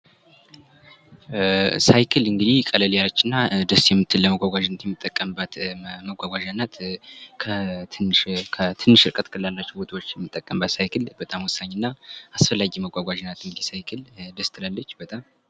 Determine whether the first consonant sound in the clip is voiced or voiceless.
voiceless